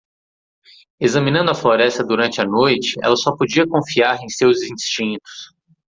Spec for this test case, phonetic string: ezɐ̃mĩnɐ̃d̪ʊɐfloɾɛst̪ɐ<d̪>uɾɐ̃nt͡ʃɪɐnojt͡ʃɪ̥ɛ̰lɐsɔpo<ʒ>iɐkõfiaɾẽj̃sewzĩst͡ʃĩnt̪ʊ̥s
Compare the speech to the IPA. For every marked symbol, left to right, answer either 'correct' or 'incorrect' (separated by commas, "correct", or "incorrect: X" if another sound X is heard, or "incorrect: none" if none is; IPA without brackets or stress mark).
correct, incorrect: d͡ʒ